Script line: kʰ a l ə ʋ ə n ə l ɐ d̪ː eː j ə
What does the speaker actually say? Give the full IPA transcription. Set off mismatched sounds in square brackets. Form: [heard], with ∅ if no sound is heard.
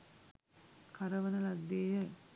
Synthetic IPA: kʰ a [ɾ] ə ʋ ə n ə l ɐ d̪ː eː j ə